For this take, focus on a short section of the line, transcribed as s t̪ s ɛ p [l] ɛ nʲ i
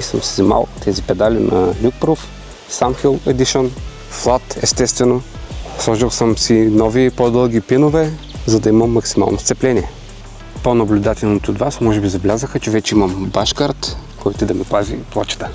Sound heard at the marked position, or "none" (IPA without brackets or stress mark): l